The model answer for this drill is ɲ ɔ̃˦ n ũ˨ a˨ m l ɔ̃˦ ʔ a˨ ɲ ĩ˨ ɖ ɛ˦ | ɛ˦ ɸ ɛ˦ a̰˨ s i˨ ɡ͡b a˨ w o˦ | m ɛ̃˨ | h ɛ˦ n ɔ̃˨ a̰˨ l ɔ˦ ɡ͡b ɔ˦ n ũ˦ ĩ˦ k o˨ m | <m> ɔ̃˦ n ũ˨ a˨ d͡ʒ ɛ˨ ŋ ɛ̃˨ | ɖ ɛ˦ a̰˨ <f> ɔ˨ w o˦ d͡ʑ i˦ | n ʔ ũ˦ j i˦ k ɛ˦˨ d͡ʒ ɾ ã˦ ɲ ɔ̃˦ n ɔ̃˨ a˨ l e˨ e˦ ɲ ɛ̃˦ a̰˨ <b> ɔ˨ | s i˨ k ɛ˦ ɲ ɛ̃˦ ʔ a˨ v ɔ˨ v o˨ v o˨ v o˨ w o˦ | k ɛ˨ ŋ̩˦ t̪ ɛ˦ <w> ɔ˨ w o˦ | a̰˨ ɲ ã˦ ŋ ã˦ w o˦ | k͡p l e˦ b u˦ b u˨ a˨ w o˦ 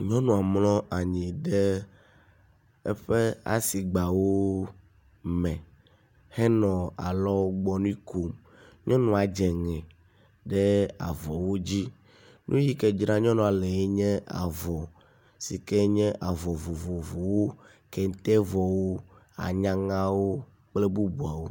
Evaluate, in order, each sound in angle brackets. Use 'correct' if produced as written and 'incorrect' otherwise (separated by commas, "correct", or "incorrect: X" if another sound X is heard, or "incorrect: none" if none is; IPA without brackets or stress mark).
incorrect: ɲ, incorrect: v, incorrect: v, incorrect: v